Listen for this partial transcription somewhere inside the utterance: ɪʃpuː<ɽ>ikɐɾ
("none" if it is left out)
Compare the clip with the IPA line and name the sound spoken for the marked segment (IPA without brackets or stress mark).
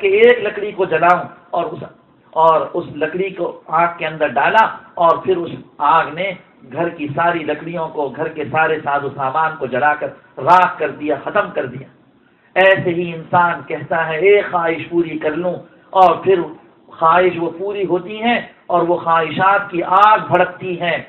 ɾ